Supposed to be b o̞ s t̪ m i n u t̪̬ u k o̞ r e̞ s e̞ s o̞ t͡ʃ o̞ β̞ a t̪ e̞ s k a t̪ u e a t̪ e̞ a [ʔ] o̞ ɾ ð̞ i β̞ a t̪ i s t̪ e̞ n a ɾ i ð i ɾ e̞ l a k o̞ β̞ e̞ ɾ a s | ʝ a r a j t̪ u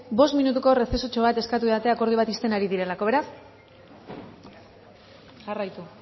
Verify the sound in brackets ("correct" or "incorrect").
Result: incorrect